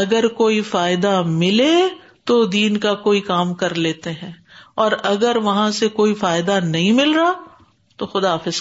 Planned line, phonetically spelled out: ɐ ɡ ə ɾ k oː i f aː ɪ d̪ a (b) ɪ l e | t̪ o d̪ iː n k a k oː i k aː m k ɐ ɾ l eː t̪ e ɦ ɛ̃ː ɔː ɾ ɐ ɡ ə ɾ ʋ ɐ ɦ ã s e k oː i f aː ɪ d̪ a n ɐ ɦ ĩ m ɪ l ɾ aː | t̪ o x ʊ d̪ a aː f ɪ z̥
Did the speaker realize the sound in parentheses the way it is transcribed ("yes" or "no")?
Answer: no